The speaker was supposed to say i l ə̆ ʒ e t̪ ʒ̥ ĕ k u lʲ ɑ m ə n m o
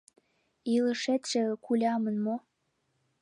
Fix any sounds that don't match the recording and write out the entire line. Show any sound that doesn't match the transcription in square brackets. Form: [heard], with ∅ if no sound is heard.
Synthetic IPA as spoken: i l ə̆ [ʃ] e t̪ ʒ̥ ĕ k u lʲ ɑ m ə n m o